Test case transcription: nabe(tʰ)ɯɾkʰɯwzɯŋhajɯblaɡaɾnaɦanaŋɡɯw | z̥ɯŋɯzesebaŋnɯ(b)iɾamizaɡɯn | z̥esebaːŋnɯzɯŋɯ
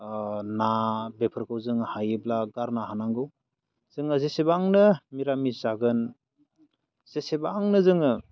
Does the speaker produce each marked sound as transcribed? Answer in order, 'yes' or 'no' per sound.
no, no

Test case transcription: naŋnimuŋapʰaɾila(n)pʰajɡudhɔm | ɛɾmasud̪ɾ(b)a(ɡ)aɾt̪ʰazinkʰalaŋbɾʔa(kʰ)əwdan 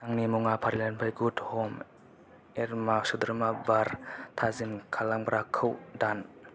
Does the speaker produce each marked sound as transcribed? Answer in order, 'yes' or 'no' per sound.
yes, no, no, yes

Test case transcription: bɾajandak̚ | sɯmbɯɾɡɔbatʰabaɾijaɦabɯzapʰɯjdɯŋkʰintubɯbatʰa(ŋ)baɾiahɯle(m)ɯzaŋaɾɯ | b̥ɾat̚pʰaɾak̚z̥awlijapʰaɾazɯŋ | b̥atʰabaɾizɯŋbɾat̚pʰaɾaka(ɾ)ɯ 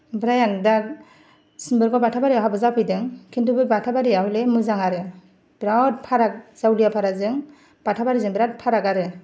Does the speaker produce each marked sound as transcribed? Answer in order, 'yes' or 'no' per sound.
no, yes, yes

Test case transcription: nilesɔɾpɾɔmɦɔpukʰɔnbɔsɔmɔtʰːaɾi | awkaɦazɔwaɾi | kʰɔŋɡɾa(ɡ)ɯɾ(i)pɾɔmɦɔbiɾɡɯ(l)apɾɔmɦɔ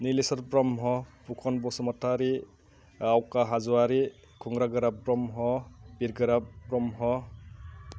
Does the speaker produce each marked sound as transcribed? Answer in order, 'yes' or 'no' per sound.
yes, no, no

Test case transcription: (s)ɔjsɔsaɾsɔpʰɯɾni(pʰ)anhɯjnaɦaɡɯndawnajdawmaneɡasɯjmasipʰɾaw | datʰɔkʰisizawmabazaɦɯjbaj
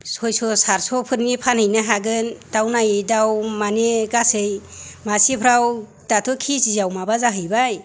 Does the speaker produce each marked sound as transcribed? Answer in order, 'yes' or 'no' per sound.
yes, yes

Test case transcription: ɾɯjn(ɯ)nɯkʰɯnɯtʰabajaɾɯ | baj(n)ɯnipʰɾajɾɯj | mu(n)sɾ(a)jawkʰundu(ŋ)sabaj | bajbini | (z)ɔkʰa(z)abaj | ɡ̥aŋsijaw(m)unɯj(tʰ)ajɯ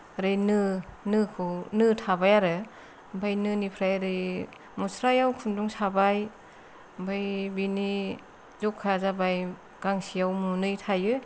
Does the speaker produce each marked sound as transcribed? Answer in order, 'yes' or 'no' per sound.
yes, yes, no, yes, yes, yes, yes, yes, yes

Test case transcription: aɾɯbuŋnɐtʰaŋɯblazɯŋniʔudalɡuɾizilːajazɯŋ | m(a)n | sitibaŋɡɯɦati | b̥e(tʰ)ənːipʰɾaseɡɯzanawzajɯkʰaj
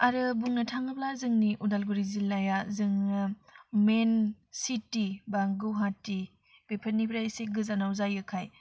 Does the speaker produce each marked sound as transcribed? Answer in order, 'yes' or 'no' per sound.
no, no

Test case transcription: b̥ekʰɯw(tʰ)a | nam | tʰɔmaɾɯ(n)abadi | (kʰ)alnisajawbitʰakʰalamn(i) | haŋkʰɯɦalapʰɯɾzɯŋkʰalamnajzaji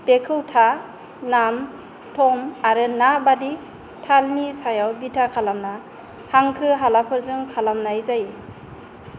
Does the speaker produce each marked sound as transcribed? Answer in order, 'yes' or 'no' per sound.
yes, yes, no, no

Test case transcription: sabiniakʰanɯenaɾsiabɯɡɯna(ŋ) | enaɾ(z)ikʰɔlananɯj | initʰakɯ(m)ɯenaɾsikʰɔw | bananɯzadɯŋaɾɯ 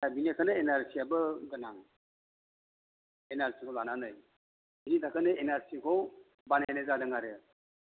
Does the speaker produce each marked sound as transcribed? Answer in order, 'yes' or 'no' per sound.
yes, no, no

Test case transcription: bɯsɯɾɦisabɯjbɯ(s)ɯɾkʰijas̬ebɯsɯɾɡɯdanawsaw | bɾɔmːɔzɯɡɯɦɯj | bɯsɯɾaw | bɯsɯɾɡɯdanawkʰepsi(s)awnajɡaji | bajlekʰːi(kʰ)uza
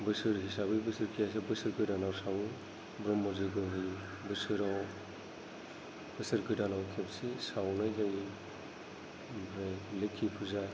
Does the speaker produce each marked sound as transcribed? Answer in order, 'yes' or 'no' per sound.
yes, yes, no

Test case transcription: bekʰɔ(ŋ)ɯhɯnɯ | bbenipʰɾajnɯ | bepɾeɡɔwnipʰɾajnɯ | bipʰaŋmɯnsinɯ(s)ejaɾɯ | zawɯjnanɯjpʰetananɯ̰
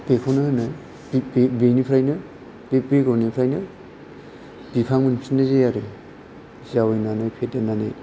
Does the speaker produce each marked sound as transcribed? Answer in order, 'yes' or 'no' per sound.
no, no

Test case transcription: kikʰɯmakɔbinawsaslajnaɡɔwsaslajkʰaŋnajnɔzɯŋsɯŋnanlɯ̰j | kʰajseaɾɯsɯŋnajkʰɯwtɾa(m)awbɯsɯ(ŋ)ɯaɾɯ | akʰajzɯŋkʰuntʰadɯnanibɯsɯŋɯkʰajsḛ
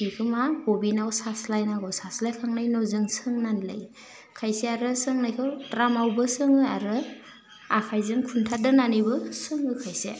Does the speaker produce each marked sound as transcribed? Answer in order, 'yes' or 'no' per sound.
yes, yes

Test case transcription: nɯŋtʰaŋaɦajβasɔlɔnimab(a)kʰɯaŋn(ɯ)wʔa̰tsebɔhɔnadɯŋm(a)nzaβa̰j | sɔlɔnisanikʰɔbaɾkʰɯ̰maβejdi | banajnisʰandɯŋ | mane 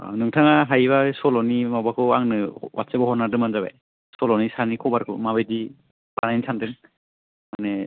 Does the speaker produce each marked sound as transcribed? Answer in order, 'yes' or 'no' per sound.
yes, yes, yes

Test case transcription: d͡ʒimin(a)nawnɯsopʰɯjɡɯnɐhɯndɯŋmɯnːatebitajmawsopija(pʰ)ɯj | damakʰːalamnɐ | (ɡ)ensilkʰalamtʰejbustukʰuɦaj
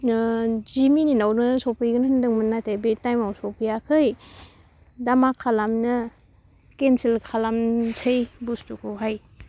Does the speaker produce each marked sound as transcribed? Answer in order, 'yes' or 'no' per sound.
no, no, no

